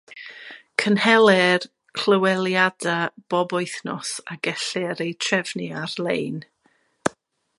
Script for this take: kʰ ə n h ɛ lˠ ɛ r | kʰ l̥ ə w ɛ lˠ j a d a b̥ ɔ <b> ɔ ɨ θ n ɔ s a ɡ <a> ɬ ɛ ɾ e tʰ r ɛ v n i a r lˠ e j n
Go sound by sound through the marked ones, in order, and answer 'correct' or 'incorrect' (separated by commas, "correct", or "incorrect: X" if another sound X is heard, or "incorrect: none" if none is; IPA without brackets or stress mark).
correct, incorrect: ɛ